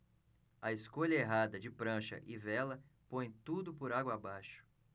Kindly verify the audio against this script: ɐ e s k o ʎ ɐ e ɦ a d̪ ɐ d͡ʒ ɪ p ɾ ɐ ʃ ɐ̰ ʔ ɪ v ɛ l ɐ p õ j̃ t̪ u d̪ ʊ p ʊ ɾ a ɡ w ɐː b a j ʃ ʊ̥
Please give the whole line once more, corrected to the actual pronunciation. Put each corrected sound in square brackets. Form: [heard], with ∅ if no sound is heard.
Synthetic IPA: ɐ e s k o ʎ ɐ e ɦ a d̪ ɐ d͡ʒ ɪ p ɾ [ɐ̃] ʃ ɐ̰ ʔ ɪ v ɛ l ɐ p õ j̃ t̪ u d̪ ʊ p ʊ ɾ a ɡ w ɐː b a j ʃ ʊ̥